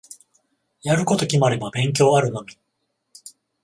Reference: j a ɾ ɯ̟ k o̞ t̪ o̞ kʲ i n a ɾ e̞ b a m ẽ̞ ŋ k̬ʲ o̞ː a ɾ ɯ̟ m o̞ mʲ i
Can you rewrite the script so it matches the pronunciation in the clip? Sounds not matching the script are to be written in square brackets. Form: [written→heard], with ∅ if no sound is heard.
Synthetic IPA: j a ɾ ɯ̟ k o̞ t̪ o̞ kʲ i [n→m] a ɾ e̞ b a [m→b] ẽ̞ ŋ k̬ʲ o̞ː a ɾ ɯ̟ [m→n] o̞ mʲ i